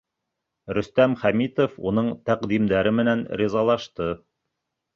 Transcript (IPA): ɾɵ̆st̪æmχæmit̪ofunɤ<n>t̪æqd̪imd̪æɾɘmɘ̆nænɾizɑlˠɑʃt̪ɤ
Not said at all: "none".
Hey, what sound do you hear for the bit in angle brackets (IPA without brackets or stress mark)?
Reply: ɴ